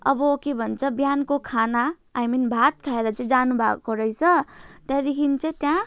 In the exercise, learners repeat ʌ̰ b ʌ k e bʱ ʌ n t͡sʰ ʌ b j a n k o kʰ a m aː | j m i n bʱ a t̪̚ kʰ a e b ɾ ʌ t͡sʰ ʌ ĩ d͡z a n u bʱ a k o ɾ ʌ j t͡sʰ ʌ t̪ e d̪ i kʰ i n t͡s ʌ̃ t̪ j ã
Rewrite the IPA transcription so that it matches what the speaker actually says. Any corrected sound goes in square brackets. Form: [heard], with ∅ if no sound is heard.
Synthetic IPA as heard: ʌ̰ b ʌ k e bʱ ʌ n t͡sʰ ʌ b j a n k o kʰ a [n] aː | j m i n bʱ a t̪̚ kʰ a e [∅] ɾ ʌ [t͡s] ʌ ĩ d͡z a n u bʱ a k o ɾ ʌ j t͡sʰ ʌ t̪ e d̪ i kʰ i n t͡s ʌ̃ t̪ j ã